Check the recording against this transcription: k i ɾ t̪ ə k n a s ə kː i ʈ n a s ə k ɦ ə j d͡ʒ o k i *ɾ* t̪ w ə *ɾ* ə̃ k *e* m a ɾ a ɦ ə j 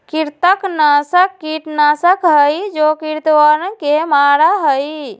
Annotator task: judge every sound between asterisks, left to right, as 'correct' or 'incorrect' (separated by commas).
correct, correct, correct